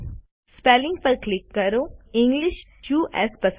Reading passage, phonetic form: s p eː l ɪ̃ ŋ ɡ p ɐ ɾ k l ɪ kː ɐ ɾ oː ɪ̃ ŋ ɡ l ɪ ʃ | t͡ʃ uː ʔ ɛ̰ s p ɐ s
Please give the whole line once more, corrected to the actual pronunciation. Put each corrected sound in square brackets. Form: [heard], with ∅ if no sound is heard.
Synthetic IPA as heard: s p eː l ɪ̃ ŋ ɡ p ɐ ɾ k l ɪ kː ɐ ɾ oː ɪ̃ ŋ ɡ l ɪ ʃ | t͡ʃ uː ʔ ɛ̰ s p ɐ s